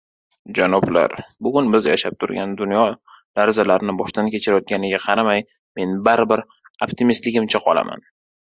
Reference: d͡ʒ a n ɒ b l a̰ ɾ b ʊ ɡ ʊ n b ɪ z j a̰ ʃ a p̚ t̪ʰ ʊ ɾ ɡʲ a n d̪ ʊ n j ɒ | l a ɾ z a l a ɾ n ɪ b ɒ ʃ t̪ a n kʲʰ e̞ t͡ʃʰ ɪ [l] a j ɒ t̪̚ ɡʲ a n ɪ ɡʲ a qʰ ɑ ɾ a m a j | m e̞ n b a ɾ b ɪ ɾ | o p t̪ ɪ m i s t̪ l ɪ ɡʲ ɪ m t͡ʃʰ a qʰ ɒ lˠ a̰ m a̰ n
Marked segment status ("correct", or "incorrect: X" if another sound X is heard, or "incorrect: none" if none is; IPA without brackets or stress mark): incorrect: ɾ